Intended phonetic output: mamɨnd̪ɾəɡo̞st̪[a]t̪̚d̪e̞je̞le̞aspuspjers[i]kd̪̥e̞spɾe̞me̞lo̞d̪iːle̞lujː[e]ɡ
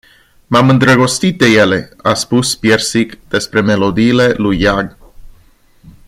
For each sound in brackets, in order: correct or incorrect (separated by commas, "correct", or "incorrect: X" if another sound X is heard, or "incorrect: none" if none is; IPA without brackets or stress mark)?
incorrect: i, correct, incorrect: a